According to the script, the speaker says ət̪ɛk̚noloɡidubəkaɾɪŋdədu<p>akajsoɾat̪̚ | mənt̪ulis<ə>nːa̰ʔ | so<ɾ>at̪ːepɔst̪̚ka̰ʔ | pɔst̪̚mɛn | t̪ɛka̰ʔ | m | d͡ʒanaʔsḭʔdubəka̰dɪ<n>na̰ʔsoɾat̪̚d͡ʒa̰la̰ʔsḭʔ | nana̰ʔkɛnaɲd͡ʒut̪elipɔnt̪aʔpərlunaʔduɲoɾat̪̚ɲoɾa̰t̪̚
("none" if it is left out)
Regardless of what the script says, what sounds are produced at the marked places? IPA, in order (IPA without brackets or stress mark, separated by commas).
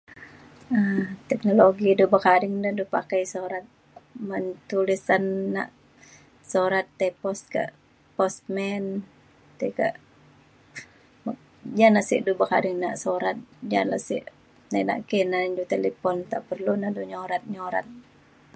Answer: p, a, ɾ, ŋ